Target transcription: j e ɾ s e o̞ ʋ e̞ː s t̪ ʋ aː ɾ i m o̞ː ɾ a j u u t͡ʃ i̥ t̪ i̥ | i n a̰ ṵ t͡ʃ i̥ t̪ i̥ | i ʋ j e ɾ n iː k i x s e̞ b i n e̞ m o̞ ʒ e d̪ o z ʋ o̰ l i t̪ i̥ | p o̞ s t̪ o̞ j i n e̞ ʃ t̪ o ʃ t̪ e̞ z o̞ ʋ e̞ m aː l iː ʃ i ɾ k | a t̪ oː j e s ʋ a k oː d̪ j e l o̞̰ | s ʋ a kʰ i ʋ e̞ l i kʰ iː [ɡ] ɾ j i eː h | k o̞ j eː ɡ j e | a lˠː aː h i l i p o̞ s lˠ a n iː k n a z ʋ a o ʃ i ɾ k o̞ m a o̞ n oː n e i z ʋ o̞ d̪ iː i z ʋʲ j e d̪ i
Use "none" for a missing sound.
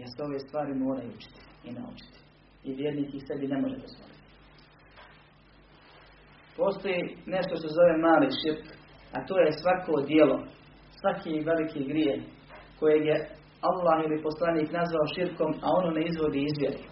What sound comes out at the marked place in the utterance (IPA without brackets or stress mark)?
ɡ